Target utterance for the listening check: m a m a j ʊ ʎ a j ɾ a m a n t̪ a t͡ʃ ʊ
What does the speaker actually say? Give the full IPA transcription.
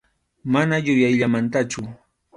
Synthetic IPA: m a n a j ʊ j a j ʎ a m a n t̪ a t͡ʃ ʊ